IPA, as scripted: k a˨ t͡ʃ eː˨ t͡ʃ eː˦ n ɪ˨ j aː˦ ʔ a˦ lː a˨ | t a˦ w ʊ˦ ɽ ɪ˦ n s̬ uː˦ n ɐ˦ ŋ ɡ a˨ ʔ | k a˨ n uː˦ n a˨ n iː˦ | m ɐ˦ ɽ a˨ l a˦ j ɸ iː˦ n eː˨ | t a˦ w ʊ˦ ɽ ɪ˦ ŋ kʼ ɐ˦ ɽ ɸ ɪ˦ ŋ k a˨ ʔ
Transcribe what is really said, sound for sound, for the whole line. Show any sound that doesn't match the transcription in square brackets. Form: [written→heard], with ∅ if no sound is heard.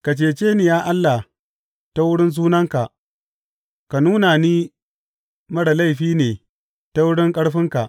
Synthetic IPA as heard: k a˨ t͡ʃ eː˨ t͡ʃ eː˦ n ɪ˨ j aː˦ ʔ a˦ lː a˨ | t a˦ w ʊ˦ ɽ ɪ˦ n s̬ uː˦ n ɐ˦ ŋ [ɡ→k] a˨ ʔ | k a˨ n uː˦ n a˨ n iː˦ | m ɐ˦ ɽ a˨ l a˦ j ɸ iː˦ n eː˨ | t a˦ w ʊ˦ ɽ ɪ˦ ŋ kʼ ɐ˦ ɽ ɸ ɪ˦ ŋ k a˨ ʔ